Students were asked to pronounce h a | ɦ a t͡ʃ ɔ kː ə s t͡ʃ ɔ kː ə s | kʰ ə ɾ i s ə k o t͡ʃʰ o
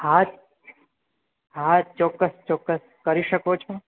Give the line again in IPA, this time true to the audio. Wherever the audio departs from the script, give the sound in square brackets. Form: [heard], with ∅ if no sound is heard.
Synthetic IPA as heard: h a | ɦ a t͡ʃ ɔ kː ə s t͡ʃ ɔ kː ə s | [k] ə ɾ i [ʃ] ə k o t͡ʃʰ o